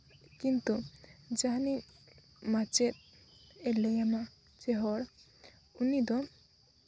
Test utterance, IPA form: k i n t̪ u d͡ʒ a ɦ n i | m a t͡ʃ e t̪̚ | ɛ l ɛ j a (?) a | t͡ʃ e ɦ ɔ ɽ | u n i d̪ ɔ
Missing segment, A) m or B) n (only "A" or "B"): A